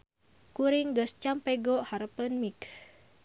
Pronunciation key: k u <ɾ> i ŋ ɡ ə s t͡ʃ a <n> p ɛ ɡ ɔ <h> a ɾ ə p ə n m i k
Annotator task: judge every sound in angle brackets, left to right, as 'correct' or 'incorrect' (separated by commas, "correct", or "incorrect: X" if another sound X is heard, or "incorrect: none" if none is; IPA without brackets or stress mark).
correct, incorrect: m, correct